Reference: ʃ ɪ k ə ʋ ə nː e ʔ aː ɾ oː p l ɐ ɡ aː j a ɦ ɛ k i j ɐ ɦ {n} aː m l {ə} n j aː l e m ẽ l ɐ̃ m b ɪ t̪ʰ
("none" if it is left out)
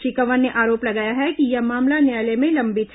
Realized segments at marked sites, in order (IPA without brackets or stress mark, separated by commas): m, a